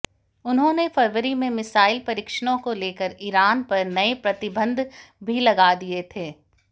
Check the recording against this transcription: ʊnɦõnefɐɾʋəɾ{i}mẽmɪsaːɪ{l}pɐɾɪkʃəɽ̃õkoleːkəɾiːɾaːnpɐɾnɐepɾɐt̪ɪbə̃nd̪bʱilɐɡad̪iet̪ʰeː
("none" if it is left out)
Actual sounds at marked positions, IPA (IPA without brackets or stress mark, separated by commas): i, l